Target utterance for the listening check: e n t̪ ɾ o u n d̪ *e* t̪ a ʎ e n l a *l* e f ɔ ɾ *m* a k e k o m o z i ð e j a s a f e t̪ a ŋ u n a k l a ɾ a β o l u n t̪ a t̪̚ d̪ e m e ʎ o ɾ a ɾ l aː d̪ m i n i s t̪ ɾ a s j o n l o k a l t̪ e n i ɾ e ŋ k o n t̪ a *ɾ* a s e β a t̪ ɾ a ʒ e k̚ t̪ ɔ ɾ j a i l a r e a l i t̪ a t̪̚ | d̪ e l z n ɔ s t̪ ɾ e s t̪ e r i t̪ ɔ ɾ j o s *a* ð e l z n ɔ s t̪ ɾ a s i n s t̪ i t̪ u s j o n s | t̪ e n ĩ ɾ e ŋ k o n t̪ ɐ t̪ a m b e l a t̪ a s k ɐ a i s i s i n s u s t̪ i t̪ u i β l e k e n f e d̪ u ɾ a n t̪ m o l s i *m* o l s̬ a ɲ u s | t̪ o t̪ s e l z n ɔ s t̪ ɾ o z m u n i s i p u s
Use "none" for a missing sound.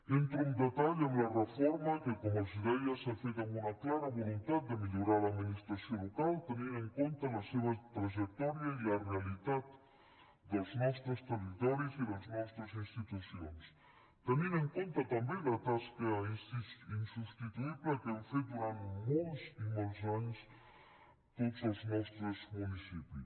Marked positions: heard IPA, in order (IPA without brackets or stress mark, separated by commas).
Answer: e, r, m, l, i, m